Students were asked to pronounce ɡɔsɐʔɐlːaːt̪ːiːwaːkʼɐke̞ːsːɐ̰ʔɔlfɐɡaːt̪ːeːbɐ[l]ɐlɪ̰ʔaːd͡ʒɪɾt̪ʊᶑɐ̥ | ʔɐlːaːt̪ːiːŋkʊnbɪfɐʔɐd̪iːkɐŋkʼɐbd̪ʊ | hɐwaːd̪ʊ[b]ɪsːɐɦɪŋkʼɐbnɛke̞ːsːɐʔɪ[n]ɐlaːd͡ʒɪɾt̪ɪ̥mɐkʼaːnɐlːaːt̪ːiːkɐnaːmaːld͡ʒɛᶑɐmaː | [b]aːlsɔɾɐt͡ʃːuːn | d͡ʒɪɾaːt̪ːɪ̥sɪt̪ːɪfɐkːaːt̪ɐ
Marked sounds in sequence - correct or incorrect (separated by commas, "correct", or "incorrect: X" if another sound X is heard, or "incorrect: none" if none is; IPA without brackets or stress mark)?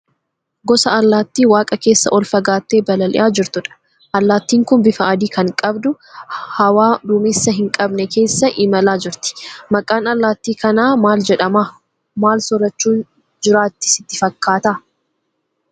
correct, incorrect: m, incorrect: m, incorrect: m